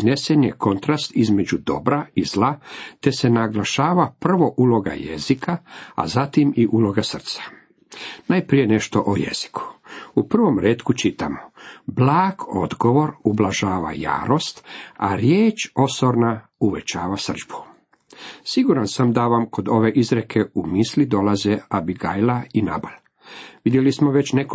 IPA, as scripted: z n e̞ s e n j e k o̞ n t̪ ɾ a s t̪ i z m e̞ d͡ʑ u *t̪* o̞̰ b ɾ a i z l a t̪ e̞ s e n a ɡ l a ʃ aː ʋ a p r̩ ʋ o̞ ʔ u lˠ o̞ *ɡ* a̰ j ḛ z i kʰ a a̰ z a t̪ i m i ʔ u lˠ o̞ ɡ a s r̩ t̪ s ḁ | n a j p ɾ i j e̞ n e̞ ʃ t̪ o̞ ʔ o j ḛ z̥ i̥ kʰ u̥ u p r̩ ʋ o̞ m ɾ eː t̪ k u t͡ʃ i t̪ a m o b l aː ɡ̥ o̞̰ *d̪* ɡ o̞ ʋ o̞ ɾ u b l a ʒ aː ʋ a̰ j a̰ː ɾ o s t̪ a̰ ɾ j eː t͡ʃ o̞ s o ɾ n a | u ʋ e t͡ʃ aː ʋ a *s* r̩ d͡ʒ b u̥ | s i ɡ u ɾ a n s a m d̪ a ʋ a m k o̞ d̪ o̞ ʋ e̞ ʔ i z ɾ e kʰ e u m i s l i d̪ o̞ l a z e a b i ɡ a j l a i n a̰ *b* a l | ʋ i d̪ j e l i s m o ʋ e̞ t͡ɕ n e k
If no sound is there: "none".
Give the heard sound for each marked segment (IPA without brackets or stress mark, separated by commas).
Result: d̪, ɡ, d̪, s, b